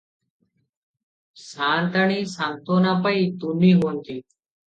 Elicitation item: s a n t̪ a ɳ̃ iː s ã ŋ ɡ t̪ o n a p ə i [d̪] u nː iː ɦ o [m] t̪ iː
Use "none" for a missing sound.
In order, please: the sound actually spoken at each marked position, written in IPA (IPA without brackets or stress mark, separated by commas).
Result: t̪, n